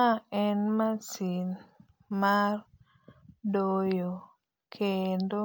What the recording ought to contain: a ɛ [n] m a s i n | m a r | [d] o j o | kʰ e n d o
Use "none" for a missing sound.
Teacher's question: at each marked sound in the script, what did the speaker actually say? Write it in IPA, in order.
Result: n, d

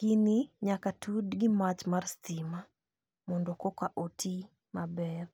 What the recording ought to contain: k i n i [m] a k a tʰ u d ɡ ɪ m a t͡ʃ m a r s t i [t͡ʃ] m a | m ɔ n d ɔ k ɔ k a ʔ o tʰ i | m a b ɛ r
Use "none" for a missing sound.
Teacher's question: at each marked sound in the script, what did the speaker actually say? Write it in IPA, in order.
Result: ɲ, none

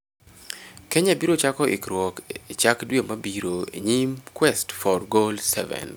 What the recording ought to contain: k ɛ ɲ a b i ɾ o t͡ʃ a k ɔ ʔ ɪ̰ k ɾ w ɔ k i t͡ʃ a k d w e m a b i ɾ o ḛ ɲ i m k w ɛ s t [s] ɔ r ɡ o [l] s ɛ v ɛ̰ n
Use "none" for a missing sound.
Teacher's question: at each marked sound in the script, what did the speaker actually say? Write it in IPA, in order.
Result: f, l

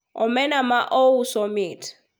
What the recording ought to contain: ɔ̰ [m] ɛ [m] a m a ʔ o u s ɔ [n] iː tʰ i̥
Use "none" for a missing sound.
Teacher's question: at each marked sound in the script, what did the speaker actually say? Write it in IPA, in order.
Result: m, n, m

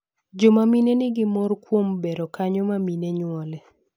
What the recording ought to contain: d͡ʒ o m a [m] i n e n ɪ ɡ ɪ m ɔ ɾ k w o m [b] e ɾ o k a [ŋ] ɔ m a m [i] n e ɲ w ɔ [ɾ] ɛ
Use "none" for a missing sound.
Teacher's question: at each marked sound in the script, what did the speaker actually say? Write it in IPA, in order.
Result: m, b, ɲ, i, l

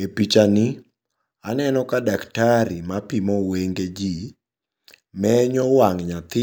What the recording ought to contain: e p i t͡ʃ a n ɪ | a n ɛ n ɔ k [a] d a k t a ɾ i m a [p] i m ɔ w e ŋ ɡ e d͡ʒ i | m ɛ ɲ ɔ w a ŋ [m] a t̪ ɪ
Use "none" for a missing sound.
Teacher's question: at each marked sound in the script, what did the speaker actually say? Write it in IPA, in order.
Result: a, p, ɲ

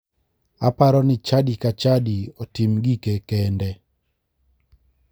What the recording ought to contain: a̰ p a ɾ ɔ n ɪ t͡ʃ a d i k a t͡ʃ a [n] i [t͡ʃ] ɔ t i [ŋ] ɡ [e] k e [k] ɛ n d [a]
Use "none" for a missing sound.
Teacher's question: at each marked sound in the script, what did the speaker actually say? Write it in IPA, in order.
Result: d, none, m, i, k, ɛ

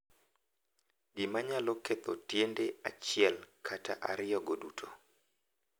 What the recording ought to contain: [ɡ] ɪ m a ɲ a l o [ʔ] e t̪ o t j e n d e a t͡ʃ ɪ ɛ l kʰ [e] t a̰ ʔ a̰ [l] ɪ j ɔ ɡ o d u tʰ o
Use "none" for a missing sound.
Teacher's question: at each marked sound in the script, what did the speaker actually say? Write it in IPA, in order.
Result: ɡ, k, a, ɾ

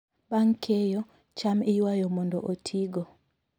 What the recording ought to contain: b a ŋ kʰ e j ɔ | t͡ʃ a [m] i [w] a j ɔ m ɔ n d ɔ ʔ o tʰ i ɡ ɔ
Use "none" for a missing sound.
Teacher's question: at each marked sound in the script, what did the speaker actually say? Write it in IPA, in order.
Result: m, w

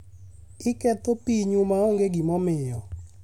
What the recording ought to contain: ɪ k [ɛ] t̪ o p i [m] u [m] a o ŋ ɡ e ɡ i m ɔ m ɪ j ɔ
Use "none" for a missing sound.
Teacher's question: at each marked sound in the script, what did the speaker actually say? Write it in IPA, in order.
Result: ɛ, ɲ, m

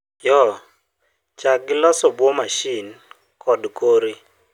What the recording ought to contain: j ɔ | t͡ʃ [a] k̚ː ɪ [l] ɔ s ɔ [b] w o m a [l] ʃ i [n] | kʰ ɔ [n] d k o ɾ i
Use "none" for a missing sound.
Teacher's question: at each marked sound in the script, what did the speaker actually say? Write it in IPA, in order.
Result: a, l, b, none, n, none

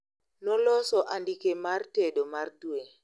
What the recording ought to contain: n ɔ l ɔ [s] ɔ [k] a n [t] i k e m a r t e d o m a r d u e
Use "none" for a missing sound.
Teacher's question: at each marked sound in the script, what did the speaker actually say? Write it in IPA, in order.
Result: s, ʔ, d

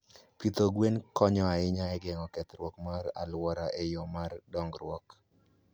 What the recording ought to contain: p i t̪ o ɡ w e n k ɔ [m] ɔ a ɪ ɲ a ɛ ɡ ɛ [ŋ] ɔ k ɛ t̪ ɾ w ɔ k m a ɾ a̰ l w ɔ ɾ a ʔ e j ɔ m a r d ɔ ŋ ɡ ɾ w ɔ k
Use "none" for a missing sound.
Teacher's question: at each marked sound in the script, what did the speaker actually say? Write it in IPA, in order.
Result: ɲ, ŋ

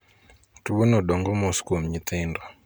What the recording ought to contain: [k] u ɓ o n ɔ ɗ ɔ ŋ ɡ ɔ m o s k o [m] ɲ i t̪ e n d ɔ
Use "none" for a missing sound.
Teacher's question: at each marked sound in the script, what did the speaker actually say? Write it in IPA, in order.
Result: t, m

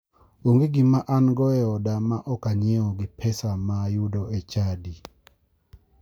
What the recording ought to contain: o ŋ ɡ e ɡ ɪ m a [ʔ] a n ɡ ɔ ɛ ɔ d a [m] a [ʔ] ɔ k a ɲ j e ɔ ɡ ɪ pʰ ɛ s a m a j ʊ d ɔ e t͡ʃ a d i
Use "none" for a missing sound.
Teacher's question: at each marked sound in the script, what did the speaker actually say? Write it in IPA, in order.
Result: ʔ, m, ʔ

